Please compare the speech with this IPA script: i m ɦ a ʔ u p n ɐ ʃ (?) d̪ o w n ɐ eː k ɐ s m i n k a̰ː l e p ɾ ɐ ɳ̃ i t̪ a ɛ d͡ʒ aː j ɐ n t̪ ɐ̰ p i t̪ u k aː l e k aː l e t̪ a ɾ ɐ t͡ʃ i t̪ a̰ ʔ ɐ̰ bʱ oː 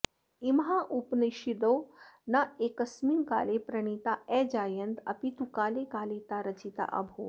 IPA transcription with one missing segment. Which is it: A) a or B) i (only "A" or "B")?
B